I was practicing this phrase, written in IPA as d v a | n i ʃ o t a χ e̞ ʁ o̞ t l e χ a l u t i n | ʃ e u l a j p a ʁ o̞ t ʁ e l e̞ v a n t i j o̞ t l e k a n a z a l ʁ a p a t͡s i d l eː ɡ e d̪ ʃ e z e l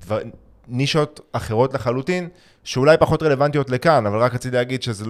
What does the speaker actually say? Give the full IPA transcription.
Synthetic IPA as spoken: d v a | n i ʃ o t a χ e̞ ʁ o̞ t l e χ a l u t i n | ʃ e u l a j p a χ o̞ t ʁ e l e̞ v a n t i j o̞ t l e k a n a v a l ʁ a k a t͡s i d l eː ɡ i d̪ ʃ e z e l